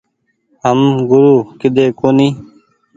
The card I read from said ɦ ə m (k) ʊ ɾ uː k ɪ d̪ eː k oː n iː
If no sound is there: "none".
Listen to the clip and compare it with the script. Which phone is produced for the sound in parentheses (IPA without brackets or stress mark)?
ɡ